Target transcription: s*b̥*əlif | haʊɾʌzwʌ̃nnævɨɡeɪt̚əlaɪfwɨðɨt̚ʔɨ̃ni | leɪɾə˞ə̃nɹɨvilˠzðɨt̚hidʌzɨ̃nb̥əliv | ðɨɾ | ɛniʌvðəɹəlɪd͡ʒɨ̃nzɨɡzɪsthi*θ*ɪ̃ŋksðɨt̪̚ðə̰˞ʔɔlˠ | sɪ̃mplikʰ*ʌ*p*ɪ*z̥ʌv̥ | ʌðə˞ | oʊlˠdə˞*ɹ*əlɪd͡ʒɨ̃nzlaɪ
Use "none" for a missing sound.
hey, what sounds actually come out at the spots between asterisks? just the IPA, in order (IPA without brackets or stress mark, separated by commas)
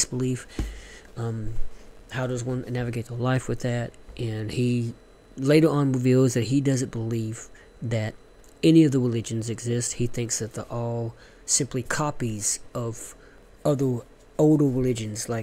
b̥, θ, ɑ, i, ɹ